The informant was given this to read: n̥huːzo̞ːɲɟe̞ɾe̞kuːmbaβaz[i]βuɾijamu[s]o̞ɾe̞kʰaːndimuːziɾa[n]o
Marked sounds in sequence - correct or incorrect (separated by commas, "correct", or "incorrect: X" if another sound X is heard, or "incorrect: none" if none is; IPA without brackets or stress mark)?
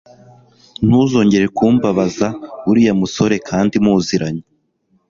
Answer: incorrect: a, correct, incorrect: ɲ